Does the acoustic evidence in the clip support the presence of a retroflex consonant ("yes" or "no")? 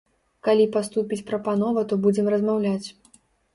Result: no